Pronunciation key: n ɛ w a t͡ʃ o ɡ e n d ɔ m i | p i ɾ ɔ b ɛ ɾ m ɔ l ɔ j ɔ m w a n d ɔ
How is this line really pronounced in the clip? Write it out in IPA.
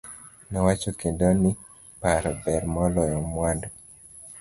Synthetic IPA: n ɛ w a t͡ʃ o k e n d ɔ n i | p a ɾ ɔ b ɛ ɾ m ɔ l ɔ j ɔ m w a n d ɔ